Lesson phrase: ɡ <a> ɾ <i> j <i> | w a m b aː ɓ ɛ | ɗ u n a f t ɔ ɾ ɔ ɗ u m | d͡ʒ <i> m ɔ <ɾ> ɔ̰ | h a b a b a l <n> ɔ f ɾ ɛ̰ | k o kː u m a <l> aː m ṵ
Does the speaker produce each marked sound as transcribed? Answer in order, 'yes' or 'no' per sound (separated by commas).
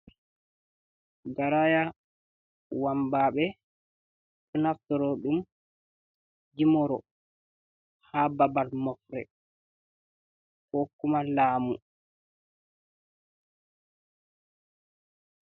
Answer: yes, no, no, yes, yes, no, yes